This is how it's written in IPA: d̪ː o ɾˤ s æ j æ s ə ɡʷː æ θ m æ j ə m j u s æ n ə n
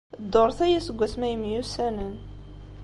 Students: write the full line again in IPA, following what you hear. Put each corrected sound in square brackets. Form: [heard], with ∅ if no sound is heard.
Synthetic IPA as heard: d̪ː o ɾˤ [θ] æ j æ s ə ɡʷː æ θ m æ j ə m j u s æ n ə n